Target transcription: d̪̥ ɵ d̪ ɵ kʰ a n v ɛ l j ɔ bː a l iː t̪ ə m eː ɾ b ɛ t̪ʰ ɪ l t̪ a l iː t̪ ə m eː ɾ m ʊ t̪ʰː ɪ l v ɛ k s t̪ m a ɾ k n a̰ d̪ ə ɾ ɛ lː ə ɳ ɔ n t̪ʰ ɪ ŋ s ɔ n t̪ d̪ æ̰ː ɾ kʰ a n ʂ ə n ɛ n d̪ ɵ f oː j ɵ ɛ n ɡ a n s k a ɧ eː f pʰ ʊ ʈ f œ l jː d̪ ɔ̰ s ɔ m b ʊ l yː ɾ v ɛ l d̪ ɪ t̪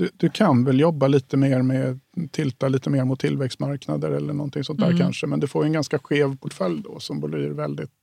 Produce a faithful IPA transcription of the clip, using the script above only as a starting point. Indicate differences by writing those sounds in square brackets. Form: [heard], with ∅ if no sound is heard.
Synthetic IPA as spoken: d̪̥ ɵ d̪ ɵ kʰ a n v ɛ l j ɔ bː a l iː t̪ ə m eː ɾ [m] ɛ t̪ʰ ɪ l t̪ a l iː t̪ ə m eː ɾ m ʊ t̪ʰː ɪ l v ɛ k s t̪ m a ɾ k n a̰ d̪ ə ɾ ɛ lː ə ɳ ɔ n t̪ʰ ɪ ŋ s ɔ n t̪ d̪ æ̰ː ɾ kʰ a n ʂ ə [m] ɛ n d̪ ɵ f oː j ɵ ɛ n ɡ a n s k a ɧ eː [v] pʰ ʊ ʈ f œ l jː d̪ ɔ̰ s ɔ m b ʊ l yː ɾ v ɛ l d̪ ɪ t̪